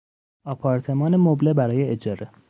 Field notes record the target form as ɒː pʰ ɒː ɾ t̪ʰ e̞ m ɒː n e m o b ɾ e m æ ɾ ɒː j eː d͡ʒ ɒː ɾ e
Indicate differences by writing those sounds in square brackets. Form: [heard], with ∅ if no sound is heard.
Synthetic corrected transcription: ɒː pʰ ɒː ɾ t̪ʰ e̞ m ɒː n e m o b [l] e [b] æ ɾ ɒː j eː d͡ʒ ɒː ɾ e